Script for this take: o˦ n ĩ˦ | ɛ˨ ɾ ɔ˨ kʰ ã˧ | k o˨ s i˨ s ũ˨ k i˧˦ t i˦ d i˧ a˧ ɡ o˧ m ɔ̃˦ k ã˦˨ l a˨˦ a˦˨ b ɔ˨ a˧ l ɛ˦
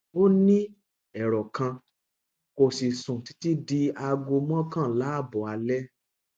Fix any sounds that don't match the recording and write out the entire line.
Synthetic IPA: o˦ n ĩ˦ | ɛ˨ ɾ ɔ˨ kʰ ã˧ | k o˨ s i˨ s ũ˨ t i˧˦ t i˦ d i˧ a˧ ɡ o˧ m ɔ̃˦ k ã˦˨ l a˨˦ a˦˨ b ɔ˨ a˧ l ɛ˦